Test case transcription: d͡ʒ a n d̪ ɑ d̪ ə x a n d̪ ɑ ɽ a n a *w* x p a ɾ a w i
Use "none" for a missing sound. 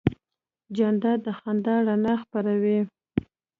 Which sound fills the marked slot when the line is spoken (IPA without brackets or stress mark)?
none